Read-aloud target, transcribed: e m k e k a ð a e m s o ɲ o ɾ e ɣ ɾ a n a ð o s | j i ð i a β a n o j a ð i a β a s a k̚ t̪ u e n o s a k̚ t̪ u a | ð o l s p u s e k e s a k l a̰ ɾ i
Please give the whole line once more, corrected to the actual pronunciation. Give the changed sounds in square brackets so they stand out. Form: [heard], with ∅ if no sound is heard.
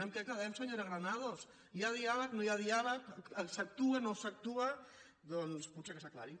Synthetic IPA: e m k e k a ð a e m s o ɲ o ɾ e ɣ ɾ a n a ð o s | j [a] ð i a β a n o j a ð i a β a s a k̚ t̪ u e n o s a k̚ t̪ u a | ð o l s p u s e k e s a k l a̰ ɾ i